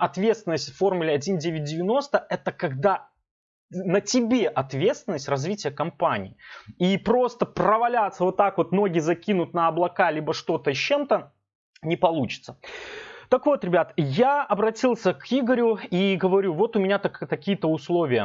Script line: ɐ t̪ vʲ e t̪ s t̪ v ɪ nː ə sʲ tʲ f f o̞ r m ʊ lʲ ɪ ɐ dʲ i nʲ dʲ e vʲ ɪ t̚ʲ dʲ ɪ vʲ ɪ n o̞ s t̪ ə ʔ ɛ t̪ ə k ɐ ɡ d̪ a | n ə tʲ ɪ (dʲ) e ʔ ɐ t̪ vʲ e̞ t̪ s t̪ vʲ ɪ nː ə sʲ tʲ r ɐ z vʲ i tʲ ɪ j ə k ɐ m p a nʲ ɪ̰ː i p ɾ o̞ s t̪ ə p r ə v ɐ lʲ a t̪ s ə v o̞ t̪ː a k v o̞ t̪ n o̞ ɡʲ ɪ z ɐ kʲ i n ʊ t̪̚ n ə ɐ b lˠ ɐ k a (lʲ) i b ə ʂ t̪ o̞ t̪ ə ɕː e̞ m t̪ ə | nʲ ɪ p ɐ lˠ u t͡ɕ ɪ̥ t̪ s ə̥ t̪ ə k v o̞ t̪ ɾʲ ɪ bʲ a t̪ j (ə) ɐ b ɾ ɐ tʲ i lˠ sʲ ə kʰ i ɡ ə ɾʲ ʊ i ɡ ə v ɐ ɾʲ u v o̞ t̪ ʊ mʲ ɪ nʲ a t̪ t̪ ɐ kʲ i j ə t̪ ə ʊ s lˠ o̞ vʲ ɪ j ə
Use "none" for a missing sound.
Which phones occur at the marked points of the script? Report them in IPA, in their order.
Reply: bʲ, lʲ, a

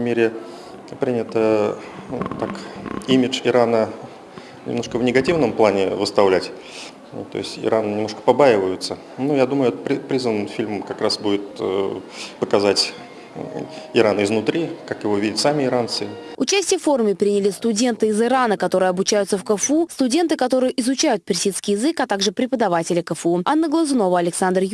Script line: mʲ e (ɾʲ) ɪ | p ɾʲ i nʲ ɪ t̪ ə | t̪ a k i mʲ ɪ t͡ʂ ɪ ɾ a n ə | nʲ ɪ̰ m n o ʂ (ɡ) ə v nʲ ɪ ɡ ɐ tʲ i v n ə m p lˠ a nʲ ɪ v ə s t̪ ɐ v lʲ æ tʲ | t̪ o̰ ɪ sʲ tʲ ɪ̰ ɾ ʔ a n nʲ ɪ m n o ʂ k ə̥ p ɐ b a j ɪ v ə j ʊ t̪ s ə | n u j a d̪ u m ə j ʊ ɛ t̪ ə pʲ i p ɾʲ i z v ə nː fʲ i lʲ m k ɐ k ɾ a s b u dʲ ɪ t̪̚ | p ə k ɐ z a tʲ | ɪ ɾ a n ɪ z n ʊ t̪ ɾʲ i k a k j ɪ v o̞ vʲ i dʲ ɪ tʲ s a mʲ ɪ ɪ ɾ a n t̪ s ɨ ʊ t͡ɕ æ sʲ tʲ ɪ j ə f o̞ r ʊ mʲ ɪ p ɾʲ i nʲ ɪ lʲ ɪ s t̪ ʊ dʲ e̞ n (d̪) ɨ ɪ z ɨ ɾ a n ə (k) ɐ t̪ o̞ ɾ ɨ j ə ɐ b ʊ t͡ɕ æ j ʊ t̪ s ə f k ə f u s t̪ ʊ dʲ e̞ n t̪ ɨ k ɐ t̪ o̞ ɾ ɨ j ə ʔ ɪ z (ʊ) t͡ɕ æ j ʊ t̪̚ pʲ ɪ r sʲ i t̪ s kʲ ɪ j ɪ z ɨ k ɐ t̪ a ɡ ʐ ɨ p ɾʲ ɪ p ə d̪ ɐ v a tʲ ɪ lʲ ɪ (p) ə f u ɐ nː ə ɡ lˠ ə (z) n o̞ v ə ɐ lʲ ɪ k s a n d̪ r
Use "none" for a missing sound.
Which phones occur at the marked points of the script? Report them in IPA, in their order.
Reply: ɾʲ, k, t̪, k, ʊ, k, z

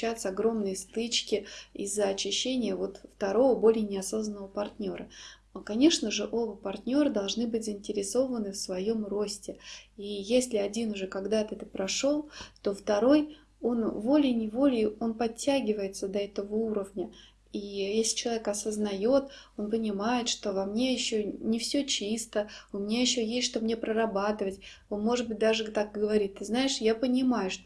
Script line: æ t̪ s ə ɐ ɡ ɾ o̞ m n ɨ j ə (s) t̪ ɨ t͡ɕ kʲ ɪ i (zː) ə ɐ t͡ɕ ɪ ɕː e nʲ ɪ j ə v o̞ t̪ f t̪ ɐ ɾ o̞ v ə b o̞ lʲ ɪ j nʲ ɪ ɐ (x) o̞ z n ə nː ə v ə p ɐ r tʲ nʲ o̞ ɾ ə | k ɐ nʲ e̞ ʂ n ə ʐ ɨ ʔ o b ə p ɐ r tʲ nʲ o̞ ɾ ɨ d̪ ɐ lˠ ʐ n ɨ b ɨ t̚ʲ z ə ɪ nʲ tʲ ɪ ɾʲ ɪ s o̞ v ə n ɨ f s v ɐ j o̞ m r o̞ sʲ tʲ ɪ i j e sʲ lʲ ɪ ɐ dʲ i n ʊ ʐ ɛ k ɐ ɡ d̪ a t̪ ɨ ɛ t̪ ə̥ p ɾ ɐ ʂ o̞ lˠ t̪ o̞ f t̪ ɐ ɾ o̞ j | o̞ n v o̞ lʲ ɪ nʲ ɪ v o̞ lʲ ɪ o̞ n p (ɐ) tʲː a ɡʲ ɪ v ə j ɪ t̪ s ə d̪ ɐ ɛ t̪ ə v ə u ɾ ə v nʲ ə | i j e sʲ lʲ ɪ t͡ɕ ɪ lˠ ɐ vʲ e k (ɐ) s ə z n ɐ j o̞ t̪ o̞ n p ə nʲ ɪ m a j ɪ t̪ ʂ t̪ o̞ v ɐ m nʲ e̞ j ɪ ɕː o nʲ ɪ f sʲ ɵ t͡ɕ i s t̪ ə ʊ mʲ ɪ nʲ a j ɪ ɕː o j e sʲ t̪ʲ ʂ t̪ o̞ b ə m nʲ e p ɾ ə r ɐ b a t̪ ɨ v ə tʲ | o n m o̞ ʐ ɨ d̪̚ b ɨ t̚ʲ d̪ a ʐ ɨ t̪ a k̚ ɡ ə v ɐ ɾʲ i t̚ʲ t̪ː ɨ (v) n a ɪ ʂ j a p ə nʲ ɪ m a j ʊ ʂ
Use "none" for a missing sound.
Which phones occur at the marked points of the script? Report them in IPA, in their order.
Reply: s, zː, s, ɐ, ɐ, z

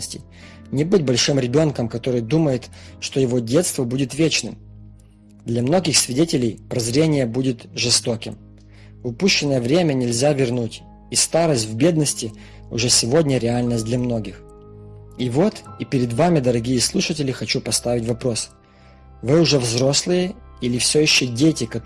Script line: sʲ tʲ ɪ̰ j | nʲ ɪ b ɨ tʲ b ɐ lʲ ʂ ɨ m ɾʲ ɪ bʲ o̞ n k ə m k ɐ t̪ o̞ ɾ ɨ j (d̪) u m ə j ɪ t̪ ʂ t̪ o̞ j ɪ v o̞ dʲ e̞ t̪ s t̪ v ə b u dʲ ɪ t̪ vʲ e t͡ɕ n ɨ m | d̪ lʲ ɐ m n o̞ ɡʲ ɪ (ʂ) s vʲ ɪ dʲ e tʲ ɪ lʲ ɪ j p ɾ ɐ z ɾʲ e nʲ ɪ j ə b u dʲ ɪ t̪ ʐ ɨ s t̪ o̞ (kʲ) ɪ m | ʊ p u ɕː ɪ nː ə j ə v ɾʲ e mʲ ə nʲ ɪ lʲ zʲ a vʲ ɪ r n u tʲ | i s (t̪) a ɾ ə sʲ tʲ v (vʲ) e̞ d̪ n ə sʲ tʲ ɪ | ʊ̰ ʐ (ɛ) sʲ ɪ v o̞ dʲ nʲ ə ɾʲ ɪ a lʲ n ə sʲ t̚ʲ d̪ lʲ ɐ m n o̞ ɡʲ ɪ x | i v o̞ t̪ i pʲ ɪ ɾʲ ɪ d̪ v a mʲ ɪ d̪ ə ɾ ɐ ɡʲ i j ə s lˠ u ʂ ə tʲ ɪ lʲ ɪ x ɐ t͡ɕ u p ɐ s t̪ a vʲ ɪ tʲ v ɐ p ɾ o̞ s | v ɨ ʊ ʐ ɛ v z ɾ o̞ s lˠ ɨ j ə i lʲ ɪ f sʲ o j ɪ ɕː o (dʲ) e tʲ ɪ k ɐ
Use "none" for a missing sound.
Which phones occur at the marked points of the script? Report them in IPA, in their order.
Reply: d̪, x, kʲ, t̪, bʲ, ɛ, dʲ

